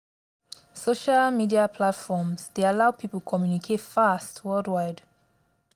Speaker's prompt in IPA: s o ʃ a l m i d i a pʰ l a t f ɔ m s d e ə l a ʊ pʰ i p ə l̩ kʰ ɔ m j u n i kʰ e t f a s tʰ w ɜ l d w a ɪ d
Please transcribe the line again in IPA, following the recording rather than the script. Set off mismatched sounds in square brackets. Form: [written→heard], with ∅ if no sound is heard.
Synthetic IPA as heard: s o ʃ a l m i d i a pʰ l a t f ɔ m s d e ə l a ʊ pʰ i p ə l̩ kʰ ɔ m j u n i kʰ e t f a s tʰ w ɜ l d w a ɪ d